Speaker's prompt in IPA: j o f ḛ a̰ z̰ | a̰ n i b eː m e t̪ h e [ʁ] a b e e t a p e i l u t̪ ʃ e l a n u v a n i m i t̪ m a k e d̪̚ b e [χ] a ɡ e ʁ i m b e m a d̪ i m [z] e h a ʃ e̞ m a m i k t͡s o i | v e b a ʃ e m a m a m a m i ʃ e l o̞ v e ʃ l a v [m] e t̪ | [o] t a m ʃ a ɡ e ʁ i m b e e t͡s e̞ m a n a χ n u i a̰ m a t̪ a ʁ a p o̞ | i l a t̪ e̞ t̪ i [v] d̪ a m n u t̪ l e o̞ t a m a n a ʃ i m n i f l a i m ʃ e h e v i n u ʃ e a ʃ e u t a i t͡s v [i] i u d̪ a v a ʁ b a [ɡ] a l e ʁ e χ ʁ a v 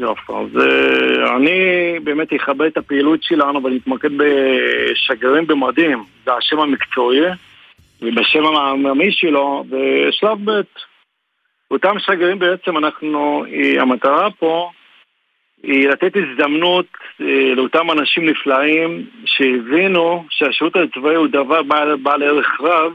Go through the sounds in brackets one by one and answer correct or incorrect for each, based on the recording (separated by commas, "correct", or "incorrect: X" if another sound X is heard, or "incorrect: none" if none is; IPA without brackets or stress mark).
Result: incorrect: χ, incorrect: ʃ, correct, incorrect: b, correct, incorrect: z, incorrect: a, incorrect: b